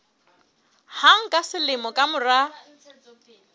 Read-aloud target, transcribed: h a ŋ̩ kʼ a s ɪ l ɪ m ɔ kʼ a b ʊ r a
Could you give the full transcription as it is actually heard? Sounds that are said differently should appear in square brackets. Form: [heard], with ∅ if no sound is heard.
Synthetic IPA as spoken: h a ŋ̩ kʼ a s ɪ l ɪ m ɔ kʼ a [m] ʊ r a